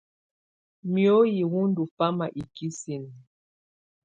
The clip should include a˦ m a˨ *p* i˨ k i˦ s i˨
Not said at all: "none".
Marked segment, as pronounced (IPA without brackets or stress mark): ʔ